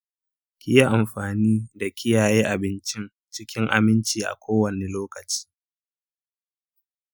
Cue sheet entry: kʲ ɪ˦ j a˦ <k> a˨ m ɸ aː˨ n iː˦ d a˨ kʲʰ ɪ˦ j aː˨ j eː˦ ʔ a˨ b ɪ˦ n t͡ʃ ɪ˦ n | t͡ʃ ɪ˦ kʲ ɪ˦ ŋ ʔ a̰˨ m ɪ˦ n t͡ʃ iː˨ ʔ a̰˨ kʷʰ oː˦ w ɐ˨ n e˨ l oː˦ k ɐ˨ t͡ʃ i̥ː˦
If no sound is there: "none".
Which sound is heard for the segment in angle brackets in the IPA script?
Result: ʔ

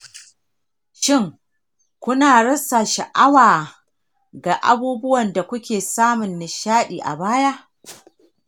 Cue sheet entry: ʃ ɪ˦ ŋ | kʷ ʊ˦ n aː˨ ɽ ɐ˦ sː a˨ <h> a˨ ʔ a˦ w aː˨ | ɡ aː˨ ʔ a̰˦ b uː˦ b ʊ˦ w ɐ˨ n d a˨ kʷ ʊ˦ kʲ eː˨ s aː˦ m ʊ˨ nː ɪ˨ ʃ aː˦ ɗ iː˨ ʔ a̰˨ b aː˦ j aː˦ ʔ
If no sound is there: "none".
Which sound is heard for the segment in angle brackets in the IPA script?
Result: ʃ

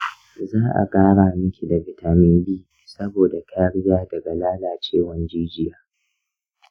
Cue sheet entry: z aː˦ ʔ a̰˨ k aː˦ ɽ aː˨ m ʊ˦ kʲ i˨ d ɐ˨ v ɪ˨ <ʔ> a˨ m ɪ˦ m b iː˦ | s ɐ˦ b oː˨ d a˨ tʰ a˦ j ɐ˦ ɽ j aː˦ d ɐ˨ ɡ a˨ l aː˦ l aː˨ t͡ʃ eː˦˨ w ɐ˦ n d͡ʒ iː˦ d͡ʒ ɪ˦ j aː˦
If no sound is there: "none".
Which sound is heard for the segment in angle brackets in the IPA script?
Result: t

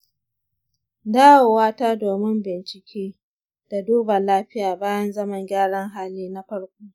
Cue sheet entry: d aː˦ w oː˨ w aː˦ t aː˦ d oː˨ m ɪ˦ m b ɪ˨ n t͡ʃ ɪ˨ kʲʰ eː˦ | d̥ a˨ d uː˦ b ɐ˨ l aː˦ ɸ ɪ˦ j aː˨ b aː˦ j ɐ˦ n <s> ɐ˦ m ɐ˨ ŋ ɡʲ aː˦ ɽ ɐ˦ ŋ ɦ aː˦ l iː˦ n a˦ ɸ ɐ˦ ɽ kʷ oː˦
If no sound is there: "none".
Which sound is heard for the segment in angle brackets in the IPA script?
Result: z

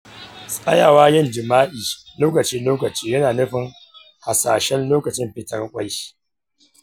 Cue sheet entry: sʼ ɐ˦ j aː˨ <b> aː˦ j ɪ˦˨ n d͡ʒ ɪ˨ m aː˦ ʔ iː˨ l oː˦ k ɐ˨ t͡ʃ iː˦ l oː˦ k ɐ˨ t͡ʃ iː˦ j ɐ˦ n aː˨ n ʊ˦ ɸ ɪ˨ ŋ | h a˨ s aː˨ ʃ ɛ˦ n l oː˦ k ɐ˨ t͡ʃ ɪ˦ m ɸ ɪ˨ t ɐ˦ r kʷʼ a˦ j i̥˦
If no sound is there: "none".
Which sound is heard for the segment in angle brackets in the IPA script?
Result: w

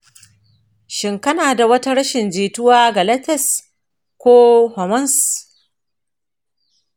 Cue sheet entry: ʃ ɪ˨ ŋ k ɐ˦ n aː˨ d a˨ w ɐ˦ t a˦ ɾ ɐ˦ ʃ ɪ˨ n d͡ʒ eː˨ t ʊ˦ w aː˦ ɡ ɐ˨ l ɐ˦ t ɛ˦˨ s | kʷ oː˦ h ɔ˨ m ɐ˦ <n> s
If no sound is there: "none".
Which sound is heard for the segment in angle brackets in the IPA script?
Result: n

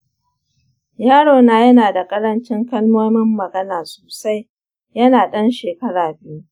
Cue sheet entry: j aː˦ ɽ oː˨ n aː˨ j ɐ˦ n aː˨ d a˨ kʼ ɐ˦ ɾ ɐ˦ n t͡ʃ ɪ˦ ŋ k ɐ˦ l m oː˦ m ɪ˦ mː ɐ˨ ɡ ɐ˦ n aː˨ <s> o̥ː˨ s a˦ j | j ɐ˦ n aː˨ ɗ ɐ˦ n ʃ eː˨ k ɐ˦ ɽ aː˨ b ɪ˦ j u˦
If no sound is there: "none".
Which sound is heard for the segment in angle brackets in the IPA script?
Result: s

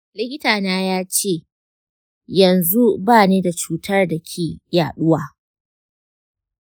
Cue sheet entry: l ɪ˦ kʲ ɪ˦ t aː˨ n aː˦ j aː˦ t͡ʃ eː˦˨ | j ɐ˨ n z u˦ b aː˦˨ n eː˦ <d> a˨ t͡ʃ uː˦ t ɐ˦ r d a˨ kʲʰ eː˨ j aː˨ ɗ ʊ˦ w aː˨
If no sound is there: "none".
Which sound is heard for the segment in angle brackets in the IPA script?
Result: d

